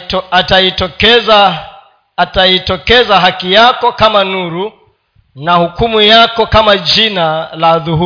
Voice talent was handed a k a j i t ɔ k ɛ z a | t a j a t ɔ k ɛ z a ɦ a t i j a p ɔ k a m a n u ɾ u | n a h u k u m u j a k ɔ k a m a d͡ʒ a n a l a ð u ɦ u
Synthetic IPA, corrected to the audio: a t a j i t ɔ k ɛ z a | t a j i t ɔ k ɛ z a ɦ a k i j a k ɔ k a m a n u ɾ u | n a h u k u m u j a k ɔ k a m a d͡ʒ i n a l a ð u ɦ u